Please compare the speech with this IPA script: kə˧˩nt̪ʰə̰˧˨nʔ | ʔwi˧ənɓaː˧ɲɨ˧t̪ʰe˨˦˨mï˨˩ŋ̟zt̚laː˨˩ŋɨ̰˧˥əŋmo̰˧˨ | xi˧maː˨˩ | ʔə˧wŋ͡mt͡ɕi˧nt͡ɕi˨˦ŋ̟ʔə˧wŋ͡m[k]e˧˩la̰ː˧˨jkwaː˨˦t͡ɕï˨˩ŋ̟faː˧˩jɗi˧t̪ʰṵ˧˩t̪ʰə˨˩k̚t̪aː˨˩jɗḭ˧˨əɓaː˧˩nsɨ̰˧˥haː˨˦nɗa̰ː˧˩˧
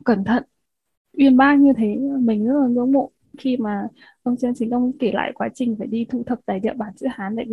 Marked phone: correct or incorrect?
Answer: correct